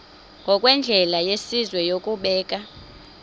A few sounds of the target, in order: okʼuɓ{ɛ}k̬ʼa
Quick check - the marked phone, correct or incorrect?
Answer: incorrect